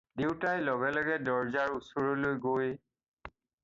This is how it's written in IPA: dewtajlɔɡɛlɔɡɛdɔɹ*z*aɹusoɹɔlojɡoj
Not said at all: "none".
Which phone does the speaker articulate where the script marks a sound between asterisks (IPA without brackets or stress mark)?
z